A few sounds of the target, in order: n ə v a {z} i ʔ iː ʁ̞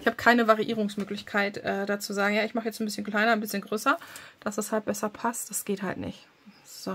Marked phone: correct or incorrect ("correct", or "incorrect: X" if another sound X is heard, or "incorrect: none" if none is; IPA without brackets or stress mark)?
incorrect: ʁ